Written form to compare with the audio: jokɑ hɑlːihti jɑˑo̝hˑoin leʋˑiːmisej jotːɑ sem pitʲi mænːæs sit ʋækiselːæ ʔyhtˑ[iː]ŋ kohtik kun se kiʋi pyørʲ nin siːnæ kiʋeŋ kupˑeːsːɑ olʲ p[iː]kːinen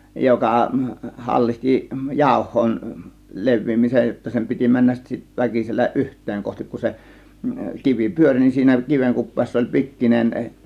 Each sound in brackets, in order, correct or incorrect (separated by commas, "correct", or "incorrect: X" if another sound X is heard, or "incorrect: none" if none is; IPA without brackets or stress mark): incorrect: eː, incorrect: i